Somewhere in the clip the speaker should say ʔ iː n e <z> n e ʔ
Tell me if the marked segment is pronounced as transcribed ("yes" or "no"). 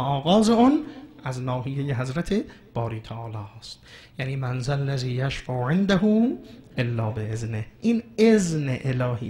yes